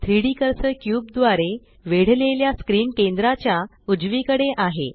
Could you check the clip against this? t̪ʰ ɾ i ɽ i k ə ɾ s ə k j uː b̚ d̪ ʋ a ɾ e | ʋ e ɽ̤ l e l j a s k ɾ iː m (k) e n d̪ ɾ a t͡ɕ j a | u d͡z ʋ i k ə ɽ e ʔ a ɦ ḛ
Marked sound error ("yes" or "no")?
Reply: no